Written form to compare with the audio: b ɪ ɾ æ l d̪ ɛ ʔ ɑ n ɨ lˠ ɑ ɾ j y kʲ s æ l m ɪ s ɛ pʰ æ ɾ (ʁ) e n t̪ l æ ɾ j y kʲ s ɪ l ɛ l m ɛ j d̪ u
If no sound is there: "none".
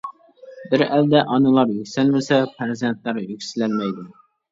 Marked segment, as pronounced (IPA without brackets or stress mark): z